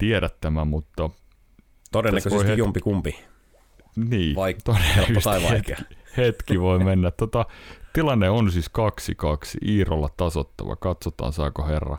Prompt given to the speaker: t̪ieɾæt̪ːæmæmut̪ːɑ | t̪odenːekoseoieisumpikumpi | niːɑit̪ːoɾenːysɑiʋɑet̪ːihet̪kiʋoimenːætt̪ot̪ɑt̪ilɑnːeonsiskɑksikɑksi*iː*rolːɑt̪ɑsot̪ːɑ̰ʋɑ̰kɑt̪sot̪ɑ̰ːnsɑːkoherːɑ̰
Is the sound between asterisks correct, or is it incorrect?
correct